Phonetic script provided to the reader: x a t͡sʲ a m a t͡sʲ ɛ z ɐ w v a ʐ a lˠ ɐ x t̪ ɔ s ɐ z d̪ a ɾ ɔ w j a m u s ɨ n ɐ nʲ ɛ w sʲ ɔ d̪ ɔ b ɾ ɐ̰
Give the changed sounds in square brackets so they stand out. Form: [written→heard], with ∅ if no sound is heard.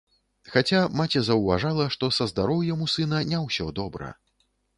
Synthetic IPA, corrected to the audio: x a t͡sʲ a m a t͡sʲ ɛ z ɐ w v a ʐ a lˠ ɐ [x→ʂ] t̪ ɔ s ɐ z d̪ a ɾ ɔ w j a m u s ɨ n ɐ nʲ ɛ w sʲ ɔ d̪ ɔ b ɾ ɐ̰